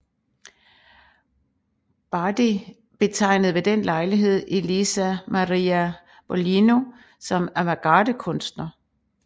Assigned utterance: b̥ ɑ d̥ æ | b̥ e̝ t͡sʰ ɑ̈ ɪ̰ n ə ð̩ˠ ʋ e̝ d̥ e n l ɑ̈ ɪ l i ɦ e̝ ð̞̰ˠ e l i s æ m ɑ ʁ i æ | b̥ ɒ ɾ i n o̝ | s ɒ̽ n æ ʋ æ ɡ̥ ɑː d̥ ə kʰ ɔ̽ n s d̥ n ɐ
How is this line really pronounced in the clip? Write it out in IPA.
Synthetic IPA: b̥ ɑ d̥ i | b̥ e̝ t͡sʰ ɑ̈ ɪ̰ n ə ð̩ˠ ʋ e̝ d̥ e n l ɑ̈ ɪ l i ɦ e̝ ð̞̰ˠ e l i s æ m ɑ ʁ i æ | b̥ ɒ l i n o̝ | s ɒ̽ m æ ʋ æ ɡ̥ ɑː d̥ ə kʰ ɔ̽ n s d̥ n ɐ